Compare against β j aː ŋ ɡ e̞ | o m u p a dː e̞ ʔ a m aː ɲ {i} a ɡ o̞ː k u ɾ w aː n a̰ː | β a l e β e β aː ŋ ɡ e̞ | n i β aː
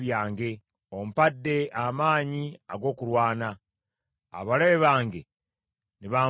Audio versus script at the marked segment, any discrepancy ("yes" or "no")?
no